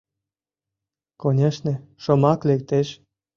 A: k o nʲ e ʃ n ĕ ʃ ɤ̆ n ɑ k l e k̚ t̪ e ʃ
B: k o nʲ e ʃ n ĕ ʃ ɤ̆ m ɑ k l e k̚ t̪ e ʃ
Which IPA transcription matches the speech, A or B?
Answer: B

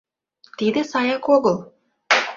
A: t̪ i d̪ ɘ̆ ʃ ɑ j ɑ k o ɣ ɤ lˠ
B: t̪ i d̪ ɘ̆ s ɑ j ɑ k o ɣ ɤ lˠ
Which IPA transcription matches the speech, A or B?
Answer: B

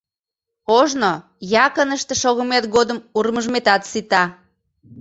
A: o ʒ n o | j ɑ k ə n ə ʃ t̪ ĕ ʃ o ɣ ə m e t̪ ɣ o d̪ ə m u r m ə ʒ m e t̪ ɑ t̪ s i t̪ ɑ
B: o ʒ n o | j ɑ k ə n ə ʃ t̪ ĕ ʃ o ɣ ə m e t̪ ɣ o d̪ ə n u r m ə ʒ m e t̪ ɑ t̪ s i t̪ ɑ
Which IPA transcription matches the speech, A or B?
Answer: A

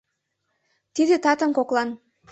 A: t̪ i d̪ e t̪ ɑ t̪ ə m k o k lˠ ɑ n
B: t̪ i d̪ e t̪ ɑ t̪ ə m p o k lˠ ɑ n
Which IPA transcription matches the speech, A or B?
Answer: A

